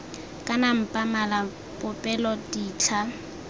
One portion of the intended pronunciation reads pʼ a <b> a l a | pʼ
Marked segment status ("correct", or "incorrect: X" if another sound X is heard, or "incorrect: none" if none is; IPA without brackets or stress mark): incorrect: m